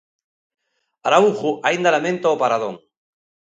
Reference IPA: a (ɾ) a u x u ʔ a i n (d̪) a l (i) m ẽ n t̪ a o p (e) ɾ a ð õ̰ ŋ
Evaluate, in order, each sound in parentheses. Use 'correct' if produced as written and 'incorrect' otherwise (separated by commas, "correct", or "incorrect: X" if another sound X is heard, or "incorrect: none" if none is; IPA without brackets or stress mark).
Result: correct, correct, incorrect: a, incorrect: a